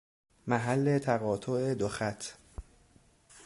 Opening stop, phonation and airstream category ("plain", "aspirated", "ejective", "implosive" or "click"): aspirated